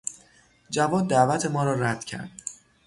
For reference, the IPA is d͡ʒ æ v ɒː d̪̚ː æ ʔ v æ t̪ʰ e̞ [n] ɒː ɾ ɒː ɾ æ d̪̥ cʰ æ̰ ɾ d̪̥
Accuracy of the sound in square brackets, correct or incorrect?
incorrect